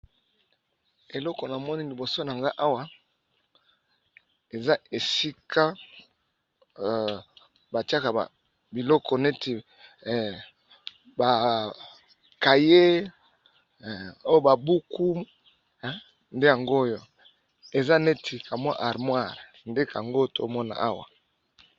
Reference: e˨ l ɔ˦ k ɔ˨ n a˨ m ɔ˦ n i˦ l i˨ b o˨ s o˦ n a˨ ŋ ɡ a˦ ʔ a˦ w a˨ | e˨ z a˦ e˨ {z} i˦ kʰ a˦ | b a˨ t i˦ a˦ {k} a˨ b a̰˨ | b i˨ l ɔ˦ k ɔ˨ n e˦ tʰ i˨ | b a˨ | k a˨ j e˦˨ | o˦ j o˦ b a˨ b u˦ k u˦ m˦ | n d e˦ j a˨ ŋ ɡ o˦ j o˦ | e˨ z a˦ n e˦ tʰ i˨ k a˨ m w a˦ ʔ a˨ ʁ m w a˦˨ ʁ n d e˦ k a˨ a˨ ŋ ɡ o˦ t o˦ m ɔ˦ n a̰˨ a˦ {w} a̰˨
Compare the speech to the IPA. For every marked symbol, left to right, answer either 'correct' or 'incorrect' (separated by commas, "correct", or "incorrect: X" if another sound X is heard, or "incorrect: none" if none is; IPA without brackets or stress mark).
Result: incorrect: s, correct, correct